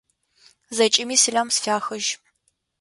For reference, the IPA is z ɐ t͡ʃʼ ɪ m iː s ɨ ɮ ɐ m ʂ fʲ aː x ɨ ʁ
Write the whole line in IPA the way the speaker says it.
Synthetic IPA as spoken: z ɐ t͡ʃʼ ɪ m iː s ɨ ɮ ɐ m s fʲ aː x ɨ ʒ